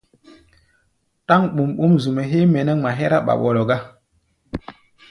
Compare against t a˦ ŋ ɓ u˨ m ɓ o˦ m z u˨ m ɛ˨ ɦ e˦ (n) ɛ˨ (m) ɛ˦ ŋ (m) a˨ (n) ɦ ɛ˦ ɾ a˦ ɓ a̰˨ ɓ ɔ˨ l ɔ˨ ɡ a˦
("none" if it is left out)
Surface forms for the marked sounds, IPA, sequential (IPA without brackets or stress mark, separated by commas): m, n, m, none